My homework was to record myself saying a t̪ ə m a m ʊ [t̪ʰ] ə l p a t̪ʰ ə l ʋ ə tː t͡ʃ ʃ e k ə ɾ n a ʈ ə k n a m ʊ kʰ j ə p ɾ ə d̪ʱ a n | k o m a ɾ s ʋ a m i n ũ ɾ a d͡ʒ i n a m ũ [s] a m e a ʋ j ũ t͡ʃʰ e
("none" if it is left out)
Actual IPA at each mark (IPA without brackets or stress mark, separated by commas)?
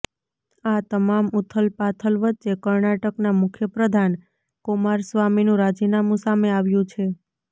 t̪ʰ, s